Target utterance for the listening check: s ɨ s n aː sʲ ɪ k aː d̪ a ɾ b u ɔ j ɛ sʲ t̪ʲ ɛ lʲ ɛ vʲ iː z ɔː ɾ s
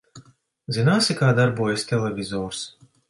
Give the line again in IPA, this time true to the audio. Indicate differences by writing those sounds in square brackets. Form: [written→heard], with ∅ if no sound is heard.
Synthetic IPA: [s→z] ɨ [s→∅] n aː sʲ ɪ k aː d̪ a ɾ b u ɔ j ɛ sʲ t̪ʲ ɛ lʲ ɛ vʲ [iː→i] z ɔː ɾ s